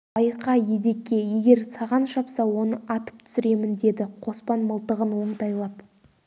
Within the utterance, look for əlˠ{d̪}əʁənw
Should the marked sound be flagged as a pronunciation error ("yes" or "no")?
yes